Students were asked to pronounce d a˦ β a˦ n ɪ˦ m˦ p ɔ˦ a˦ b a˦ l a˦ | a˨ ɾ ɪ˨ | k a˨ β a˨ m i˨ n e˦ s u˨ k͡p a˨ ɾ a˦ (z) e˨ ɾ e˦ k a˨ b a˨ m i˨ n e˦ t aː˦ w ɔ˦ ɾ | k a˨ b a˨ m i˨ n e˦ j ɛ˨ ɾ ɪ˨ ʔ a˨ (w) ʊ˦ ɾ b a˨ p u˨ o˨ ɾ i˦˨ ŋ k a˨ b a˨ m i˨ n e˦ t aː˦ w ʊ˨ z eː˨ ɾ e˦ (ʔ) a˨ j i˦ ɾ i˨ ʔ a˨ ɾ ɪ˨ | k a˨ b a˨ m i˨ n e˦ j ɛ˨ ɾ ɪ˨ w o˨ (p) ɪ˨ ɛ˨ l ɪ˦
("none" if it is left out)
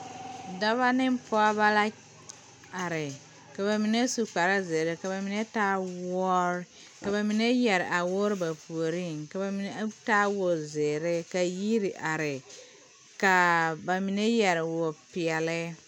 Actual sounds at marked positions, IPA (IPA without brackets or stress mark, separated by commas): z, w, k, p